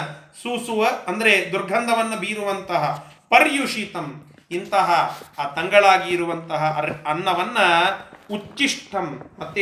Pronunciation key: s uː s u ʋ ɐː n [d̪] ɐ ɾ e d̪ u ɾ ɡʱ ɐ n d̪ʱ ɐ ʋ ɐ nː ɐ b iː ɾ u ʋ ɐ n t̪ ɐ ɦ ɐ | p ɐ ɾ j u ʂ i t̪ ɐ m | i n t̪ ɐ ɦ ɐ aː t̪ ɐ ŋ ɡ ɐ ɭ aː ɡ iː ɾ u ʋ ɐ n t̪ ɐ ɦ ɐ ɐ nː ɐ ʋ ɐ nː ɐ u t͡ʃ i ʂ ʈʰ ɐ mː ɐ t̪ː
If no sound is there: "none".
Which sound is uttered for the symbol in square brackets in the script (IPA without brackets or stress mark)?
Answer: d̪